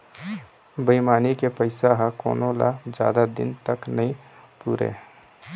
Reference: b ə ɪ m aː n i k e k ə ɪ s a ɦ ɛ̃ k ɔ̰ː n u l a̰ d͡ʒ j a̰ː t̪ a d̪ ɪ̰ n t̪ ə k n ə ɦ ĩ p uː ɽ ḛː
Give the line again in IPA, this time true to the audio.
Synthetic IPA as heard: b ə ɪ m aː n i k e p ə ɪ s a ɦ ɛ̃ k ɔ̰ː n o l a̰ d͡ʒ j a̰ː d̪ a d̪ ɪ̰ n t̪ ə k n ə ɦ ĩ p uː ɾ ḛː